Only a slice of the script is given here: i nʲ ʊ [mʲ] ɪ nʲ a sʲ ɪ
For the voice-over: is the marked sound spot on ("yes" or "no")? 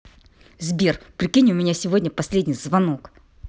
yes